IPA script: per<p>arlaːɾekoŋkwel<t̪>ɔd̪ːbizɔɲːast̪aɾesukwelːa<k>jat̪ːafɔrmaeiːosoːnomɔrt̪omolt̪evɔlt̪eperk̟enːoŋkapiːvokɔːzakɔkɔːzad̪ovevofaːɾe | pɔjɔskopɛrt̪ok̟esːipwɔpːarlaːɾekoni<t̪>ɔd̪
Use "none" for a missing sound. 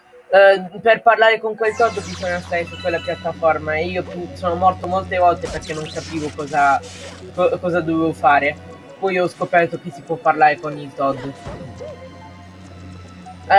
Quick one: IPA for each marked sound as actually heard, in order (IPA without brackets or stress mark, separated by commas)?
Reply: p, t̪, p, t̪